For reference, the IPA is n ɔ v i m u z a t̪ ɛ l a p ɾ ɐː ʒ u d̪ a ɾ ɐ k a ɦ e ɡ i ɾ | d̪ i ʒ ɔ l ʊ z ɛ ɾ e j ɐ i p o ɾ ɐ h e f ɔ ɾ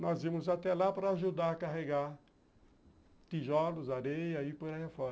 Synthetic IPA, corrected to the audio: n ɔ z i m ʊ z a t̪ ɛ l a p ɾ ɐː ʒ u d̪ a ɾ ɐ k a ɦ e ɡ a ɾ | t̪ i ʒ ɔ l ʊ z a ɾ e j ɐ i p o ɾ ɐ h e f ɔ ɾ